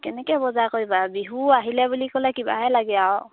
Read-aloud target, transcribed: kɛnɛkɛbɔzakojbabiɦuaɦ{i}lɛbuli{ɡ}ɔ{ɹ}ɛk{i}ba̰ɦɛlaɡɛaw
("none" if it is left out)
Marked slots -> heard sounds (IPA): i, k, l, i

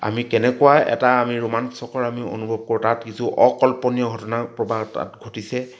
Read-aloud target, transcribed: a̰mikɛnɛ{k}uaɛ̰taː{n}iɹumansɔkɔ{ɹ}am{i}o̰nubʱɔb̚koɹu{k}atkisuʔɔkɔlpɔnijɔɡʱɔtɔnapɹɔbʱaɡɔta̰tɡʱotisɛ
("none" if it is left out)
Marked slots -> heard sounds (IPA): k, m, ɹ, i, t

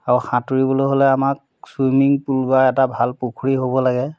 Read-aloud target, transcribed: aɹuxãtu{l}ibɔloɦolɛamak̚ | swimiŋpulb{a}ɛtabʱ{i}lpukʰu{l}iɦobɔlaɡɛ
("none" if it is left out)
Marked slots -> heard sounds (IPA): ɹ, a, a, ɹ

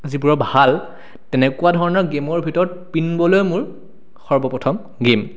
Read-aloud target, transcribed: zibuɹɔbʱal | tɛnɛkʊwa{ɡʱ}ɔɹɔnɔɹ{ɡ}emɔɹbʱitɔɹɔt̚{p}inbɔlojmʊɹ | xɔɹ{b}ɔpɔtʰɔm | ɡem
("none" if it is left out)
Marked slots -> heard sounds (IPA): dʱ, ɡ, p, b

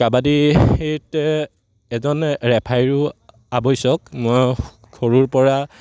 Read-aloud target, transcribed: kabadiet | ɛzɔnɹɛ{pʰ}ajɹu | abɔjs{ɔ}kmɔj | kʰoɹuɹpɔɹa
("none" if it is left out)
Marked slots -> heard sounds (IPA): pʰ, ɔ

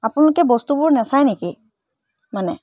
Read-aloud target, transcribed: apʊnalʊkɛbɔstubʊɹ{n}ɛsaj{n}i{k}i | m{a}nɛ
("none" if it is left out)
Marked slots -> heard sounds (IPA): n, n, k, a

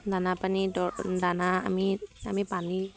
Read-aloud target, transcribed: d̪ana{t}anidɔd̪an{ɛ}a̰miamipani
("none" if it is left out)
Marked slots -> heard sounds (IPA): p, a

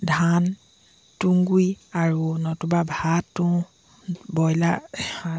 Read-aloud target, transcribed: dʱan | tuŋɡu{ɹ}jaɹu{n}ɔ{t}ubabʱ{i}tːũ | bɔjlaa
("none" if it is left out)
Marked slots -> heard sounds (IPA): none, n, t, a

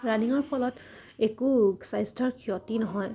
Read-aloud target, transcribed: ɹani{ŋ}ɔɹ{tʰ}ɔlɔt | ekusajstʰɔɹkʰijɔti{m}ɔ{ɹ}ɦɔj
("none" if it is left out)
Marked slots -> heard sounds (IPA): ŋ, pʰ, n, none

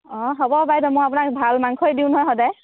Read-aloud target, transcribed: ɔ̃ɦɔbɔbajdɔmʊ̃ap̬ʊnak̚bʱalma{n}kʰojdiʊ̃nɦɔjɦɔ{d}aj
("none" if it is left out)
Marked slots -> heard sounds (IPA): ŋ, d

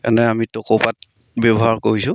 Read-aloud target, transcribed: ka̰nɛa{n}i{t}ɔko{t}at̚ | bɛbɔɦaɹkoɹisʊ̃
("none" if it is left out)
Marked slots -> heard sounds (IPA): m, t, p

